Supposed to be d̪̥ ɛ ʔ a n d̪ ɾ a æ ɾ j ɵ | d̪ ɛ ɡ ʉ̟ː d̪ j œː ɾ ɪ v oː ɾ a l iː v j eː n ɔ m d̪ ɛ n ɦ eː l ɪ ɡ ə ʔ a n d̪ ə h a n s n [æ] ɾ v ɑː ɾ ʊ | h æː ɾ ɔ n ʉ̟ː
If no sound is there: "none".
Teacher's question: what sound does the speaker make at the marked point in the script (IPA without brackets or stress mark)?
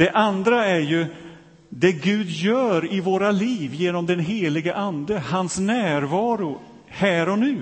æː